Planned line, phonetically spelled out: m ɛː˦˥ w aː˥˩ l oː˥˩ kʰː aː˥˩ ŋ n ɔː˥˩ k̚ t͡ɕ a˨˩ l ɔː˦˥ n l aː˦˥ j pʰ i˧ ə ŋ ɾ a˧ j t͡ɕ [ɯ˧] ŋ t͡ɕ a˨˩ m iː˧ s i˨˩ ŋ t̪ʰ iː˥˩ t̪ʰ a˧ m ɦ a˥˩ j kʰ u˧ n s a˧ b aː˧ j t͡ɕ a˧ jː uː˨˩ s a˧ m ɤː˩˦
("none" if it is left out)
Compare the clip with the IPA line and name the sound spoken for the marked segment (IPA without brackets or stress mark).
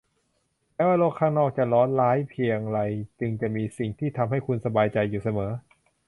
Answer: ɯ˧